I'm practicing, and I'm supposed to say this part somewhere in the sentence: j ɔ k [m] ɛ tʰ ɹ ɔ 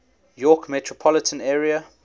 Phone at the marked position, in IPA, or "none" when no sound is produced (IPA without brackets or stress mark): m